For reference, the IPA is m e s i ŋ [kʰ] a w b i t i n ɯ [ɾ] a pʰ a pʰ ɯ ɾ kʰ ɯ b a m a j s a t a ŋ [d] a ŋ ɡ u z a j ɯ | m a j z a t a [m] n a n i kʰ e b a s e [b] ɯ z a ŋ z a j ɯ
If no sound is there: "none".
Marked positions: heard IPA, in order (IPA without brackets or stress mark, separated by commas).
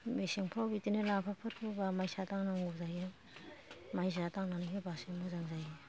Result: pʰ, l, n, ŋ, m